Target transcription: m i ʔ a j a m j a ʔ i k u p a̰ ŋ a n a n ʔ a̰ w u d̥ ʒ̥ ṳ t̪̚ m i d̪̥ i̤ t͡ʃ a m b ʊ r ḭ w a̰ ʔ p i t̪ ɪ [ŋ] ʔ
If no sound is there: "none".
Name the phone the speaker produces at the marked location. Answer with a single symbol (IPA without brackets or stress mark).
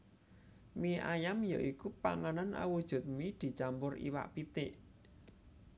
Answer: none